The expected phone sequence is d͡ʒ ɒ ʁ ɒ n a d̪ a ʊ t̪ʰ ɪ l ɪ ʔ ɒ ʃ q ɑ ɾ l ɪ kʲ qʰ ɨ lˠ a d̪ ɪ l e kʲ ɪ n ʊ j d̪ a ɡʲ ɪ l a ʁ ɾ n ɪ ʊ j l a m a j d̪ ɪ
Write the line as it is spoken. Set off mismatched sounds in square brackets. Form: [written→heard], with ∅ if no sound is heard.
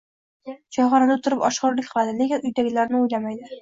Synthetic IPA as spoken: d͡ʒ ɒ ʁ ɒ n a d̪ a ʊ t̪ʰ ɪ [l→ɾ] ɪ [ʔ→p] ɒ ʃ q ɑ ɾ l ɪ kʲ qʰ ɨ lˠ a d̪ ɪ l e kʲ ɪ n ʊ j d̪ a ɡʲ ɪ l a [ʁ→∅] ɾ n ɪ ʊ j l a m a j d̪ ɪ